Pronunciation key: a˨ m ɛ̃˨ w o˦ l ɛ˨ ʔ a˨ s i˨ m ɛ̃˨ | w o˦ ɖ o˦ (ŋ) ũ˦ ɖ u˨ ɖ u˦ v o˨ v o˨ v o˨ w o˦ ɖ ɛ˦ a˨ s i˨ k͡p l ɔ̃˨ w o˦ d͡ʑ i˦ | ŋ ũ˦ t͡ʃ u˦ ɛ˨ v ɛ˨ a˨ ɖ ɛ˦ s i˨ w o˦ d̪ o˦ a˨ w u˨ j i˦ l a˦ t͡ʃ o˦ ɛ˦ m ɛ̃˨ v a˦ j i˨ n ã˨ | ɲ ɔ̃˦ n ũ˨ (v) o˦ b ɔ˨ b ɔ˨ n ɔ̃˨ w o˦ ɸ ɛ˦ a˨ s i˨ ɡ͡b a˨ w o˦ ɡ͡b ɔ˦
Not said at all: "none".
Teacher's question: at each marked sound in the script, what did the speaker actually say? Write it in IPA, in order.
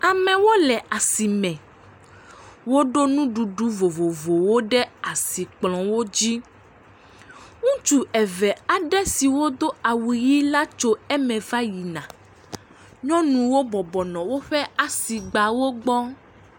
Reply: n, w

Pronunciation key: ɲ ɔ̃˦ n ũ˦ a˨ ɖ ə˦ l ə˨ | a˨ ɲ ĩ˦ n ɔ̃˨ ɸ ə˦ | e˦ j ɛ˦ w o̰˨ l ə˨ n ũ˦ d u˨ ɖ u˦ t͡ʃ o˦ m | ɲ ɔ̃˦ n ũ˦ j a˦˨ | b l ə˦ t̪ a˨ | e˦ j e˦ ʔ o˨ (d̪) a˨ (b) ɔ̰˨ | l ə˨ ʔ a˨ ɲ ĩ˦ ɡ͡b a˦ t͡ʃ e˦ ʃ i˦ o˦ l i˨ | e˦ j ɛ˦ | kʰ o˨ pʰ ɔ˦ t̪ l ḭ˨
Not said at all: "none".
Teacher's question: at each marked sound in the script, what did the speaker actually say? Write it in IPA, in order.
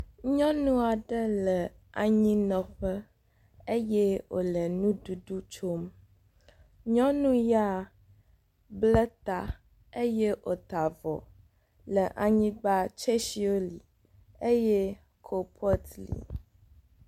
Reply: t̪, v

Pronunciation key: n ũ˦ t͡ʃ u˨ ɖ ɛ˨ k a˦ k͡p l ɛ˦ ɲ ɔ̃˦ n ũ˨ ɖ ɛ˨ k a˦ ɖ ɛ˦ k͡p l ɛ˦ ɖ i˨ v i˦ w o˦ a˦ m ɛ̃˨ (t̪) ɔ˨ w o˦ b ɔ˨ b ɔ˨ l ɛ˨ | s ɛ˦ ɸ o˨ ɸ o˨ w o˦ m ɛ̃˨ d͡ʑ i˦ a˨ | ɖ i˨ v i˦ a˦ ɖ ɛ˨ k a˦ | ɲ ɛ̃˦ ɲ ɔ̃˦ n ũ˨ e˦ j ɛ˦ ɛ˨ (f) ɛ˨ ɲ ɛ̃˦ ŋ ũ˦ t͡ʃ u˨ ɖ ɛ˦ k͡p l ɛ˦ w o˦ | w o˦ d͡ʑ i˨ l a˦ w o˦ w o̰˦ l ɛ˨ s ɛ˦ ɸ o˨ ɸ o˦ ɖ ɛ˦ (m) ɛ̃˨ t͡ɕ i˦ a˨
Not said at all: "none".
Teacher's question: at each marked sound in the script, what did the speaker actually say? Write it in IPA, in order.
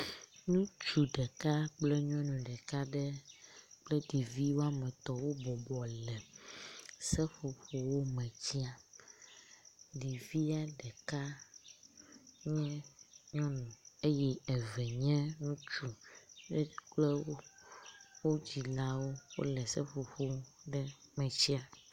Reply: t̪, v, m

